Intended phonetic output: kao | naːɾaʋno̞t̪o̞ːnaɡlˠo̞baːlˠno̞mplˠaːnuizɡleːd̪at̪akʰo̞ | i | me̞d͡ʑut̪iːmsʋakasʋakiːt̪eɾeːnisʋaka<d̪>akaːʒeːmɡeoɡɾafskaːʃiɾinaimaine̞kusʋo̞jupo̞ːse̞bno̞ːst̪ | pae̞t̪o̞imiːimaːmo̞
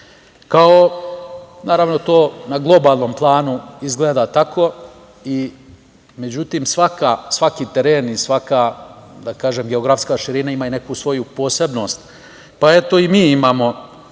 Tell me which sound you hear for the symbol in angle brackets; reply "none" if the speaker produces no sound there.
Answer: d̪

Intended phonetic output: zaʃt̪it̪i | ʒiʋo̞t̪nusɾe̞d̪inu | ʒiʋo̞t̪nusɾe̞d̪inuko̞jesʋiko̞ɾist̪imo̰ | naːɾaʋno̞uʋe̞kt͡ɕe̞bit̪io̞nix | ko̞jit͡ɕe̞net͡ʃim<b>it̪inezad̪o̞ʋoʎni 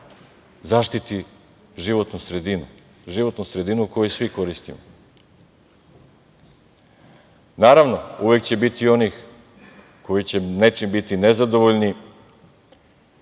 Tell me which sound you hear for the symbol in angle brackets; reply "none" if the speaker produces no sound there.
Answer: b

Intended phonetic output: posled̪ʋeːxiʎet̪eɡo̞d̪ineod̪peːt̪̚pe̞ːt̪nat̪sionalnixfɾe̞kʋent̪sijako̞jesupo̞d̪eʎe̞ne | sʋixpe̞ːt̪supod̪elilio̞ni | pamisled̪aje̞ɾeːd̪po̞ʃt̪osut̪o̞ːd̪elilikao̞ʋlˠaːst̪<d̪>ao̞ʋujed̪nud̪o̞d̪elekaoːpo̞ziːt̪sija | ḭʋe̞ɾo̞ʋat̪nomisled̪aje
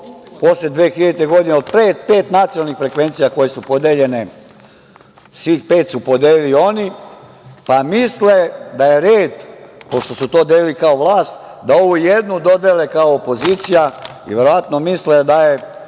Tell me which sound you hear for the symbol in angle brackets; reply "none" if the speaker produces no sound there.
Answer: d̪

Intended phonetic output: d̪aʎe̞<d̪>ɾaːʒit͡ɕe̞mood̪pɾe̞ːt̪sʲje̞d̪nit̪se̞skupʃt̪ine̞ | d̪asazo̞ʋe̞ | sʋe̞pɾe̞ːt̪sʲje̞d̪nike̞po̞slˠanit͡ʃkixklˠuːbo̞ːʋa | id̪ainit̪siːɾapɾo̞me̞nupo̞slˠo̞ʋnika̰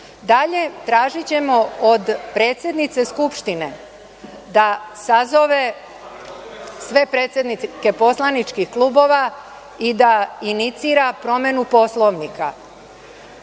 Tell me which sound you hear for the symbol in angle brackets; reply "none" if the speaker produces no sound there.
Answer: t̪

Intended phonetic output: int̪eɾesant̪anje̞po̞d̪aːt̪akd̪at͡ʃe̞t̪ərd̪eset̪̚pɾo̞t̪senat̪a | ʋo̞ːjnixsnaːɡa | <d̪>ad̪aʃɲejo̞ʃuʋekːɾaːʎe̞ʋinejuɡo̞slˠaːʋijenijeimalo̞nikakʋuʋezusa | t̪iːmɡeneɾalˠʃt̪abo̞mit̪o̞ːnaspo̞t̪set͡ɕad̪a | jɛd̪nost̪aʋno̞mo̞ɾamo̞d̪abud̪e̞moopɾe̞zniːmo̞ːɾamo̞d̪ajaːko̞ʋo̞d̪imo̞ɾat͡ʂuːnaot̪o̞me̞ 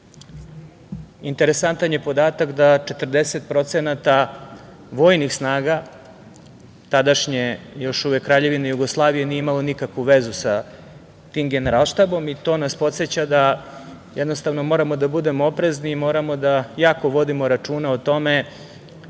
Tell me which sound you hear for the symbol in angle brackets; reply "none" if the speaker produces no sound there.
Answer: t̪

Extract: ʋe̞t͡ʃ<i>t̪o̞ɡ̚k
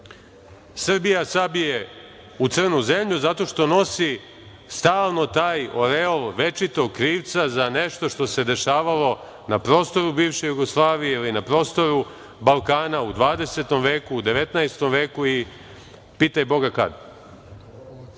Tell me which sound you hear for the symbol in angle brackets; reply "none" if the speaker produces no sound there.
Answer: i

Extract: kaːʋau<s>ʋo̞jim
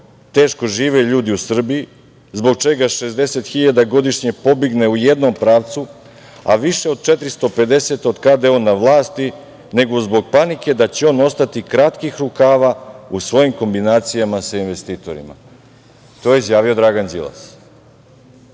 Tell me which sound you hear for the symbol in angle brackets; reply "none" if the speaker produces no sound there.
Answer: s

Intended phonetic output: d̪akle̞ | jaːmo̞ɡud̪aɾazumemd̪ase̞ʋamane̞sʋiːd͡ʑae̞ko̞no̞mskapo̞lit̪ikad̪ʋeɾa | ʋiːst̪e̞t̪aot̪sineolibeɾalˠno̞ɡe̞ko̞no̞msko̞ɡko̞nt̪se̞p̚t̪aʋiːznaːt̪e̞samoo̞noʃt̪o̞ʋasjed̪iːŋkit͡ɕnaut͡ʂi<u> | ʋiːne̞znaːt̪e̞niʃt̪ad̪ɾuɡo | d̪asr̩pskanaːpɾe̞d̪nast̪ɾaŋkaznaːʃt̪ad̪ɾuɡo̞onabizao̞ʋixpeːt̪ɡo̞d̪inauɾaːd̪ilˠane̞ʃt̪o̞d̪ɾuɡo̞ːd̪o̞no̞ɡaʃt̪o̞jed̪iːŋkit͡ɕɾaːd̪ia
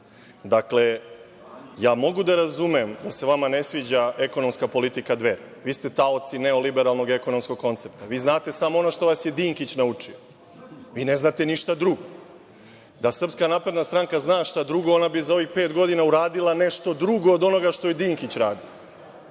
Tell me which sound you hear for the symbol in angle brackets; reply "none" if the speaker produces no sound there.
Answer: o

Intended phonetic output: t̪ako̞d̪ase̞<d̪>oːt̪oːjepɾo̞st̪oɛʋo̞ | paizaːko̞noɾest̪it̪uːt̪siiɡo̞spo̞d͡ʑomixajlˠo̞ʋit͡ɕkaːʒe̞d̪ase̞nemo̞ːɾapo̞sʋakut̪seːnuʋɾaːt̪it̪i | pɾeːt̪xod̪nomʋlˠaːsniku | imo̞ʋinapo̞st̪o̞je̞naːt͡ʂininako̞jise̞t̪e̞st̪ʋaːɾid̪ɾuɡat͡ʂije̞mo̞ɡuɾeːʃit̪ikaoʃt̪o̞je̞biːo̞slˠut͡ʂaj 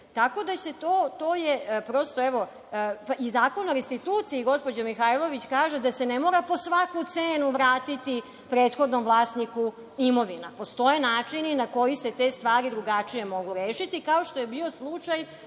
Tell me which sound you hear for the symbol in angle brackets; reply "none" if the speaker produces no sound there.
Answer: t̪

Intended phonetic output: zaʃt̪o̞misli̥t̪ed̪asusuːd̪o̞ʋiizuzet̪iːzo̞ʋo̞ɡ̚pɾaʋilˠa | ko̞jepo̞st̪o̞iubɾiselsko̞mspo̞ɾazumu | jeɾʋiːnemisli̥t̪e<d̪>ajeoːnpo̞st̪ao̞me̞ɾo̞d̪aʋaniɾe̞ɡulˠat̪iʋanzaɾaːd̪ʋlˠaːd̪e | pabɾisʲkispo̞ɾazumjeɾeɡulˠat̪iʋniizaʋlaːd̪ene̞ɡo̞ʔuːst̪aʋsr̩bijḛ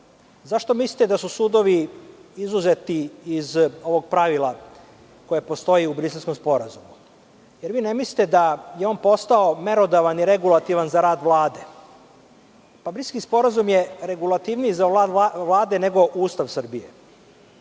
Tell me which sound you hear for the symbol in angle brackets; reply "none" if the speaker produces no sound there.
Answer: d̪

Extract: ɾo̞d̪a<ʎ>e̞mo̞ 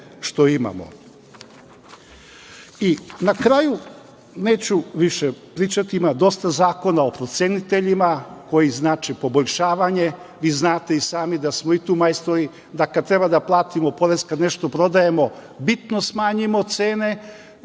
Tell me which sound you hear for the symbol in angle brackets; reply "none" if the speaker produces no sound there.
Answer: j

